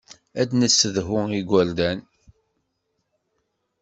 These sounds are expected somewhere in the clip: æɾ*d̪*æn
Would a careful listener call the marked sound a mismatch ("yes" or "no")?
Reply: no